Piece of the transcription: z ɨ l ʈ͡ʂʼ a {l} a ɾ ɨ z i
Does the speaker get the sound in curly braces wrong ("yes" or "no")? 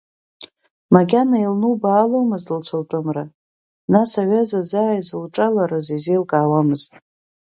no